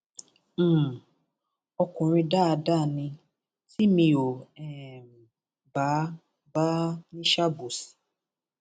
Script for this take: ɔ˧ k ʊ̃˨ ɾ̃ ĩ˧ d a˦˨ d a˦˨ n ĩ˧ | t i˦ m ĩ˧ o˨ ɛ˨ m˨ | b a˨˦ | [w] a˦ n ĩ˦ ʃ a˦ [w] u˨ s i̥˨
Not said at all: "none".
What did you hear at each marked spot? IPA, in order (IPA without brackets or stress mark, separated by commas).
b, b